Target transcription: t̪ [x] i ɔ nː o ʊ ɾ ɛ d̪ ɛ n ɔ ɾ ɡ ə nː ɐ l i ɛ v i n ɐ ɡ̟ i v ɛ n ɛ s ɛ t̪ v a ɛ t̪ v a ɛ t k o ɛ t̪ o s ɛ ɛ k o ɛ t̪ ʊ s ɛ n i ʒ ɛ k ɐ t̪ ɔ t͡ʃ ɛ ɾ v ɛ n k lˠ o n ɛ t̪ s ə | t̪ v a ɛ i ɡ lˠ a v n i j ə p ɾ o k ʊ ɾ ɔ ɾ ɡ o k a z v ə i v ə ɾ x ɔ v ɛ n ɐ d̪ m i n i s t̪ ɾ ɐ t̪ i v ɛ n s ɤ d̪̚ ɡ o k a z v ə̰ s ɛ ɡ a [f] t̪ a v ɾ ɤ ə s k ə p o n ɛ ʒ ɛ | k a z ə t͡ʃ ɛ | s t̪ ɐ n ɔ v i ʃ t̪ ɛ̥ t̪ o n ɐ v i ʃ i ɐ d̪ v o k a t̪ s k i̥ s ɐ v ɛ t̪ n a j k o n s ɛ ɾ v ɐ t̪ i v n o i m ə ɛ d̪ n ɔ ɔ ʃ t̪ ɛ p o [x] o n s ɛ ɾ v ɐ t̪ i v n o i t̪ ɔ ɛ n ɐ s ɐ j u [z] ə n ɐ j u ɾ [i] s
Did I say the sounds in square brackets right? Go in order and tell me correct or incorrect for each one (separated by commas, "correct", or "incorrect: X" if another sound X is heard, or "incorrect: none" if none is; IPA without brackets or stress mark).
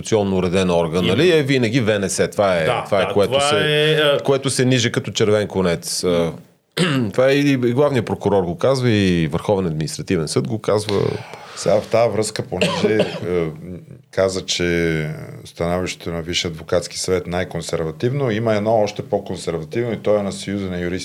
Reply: incorrect: s, correct, incorrect: k, correct, correct